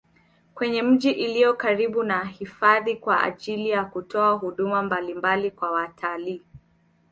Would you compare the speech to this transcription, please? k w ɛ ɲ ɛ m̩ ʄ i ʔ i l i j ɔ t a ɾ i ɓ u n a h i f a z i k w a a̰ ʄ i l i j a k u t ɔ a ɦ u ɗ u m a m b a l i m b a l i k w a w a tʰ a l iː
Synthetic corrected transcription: k w ɛ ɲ ɛ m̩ ʄ i ʔ i l i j ɔ k a ɾ i ɓ u n a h i f a ð i k w a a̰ ʄ i l i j a k u t ɔ a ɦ u ɗ u m a m b a l i m b a l i k w a w a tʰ a l iː